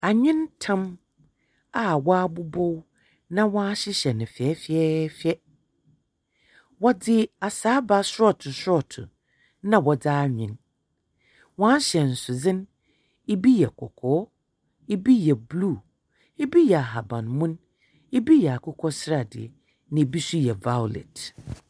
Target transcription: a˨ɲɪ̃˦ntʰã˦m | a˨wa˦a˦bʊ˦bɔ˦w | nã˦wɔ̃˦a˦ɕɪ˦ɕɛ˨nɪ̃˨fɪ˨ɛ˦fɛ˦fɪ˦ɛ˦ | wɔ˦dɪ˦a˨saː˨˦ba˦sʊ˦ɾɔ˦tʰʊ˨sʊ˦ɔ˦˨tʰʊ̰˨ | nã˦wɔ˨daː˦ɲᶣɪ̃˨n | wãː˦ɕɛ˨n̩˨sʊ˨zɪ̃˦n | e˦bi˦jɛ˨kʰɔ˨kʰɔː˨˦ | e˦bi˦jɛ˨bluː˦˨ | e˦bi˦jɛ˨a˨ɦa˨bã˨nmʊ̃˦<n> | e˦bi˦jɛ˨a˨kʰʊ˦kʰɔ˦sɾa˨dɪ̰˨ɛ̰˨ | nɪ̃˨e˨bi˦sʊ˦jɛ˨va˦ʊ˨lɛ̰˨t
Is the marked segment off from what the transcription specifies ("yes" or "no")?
no